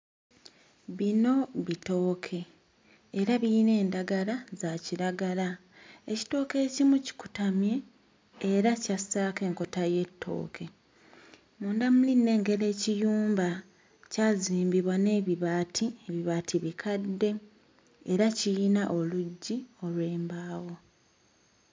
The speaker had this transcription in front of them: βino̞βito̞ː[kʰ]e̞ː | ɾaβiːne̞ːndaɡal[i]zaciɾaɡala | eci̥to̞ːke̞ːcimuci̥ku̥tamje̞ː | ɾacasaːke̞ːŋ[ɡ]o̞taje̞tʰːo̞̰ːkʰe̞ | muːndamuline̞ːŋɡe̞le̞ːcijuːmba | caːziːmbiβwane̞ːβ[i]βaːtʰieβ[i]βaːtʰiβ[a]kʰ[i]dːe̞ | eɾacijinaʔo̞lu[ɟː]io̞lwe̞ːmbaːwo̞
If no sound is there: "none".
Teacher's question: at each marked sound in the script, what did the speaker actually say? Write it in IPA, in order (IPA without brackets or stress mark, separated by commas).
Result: kʰ, a, k, i, i, i, a, ɟː